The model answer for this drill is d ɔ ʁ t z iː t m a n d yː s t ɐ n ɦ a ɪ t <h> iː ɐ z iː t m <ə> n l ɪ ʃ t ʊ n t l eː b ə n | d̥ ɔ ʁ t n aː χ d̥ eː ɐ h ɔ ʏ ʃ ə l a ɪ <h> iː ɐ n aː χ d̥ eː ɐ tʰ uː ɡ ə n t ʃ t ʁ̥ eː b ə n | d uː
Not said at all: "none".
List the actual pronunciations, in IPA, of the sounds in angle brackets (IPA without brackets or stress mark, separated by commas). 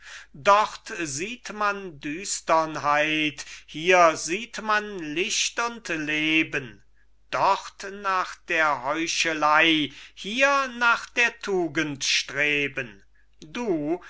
h, a, h